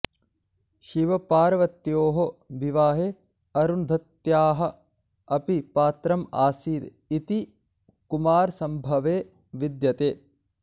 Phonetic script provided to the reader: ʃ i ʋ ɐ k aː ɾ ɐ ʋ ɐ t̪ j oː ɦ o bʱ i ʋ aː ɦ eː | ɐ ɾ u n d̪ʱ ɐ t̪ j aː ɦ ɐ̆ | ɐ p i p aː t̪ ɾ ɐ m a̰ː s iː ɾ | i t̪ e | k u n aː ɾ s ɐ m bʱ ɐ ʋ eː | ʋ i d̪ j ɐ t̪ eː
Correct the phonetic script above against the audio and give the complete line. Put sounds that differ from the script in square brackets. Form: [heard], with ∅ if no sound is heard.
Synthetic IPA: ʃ i ʋ ɐ [p] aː ɾ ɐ ʋ ɐ t̪ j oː ɦ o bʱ i ʋ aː ɦ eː | ɐ ɾ u n d̪ʱ ɐ t̪ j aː ɦ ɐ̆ | ɐ p i p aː t̪ ɾ ɐ m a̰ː s iː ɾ | i t̪ [i] | k u [m] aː ɾ s ɐ m bʱ ɐ ʋ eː | ʋ i d̪ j ɐ t̪ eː